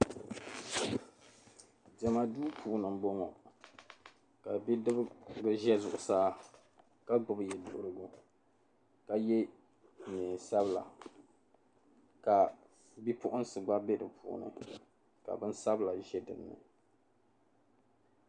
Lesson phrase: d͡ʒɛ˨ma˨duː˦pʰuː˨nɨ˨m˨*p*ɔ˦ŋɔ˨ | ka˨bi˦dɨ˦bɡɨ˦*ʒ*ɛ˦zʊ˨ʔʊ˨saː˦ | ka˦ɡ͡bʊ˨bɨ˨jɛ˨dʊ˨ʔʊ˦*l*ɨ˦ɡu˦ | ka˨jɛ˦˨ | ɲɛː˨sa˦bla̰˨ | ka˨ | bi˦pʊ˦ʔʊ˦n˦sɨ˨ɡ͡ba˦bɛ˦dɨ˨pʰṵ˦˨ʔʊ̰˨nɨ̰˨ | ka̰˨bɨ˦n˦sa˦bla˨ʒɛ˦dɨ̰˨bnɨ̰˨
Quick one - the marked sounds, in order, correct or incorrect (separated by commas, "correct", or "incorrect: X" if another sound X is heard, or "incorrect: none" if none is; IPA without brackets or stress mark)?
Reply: incorrect: b, correct, incorrect: ɾ